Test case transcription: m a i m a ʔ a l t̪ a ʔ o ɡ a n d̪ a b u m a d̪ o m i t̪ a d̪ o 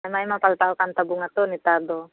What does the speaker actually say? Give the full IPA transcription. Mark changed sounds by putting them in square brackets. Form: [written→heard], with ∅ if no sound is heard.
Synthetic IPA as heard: m a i m a [ʔ→p] a l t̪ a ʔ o [ɡ→k] a n [d̪→t̪] a b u [m→ŋ] a [d̪→t̪] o [m→n] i t̪ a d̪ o